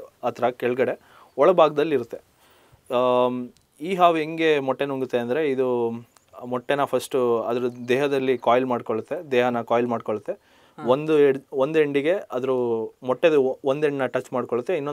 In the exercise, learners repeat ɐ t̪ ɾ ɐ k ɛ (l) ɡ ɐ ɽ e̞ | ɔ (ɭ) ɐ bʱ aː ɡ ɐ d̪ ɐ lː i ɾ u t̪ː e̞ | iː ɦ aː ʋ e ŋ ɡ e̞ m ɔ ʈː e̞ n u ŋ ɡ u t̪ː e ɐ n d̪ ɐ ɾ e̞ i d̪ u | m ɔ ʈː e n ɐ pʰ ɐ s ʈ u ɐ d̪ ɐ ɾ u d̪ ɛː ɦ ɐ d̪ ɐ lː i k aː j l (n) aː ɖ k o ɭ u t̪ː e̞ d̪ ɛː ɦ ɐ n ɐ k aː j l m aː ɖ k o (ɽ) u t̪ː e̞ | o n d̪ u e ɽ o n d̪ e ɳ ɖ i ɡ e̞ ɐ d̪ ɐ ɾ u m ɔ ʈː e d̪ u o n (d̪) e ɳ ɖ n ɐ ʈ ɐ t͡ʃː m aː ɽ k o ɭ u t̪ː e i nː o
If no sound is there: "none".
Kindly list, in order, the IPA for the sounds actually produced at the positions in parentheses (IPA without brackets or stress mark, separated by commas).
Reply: ɭ, ɭ, m, ɭ, d̪